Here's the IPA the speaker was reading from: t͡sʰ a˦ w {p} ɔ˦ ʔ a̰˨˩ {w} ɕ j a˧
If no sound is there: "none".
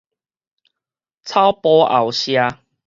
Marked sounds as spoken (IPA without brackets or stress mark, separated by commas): p, w